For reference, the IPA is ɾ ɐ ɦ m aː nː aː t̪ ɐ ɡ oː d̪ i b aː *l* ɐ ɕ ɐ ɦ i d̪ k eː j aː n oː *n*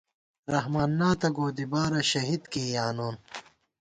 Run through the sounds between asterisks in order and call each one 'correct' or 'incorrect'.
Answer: incorrect, correct

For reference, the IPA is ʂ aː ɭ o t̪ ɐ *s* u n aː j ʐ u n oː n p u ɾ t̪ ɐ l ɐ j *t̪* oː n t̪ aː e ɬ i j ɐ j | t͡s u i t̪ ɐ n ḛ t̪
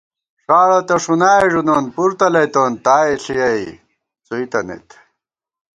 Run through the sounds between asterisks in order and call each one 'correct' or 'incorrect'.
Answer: incorrect, correct

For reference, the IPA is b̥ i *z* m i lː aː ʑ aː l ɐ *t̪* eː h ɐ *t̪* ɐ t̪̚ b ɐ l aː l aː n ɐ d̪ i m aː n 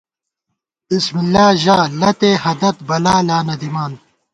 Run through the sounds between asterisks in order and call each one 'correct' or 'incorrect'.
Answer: incorrect, correct, incorrect

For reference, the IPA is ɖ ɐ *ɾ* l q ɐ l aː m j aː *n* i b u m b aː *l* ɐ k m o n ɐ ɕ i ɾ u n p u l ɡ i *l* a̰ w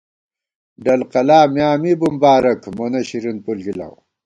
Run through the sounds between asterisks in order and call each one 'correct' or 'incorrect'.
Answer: incorrect, incorrect, incorrect, correct

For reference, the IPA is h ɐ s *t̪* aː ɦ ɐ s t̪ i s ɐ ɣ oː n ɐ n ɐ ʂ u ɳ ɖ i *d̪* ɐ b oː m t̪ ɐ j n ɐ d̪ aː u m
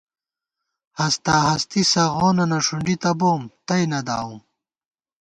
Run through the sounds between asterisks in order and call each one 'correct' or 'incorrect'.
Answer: correct, incorrect

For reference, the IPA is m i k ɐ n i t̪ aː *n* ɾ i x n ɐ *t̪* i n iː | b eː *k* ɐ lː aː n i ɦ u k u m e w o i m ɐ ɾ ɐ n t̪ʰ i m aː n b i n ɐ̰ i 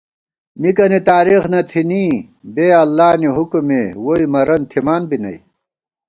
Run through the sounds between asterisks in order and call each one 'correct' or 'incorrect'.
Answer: incorrect, incorrect, incorrect

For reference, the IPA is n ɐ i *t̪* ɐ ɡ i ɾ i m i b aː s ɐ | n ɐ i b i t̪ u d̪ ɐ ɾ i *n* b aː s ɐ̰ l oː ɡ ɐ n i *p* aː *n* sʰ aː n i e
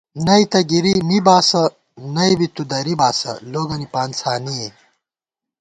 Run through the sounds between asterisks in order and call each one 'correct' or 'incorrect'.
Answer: correct, incorrect, correct, correct

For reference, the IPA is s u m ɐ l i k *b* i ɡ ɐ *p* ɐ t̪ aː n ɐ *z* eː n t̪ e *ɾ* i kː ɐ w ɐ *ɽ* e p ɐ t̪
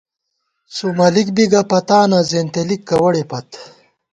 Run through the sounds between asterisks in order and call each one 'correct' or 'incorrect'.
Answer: correct, correct, correct, incorrect, correct

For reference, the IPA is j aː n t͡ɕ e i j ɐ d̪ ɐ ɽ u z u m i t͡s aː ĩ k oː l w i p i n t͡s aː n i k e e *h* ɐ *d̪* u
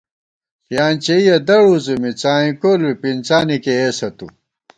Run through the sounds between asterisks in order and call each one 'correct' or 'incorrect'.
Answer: incorrect, incorrect

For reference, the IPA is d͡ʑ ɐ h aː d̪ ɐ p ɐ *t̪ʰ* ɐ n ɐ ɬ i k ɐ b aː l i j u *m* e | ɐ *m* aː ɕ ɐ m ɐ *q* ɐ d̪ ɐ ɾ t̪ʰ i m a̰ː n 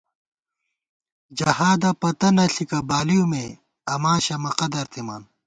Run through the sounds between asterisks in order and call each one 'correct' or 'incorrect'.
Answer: incorrect, correct, correct, correct

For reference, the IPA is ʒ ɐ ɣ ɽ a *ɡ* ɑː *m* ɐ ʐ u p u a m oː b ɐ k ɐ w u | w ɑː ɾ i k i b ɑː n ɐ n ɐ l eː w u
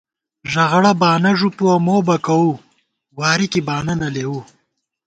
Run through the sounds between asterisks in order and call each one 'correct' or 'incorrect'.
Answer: incorrect, incorrect

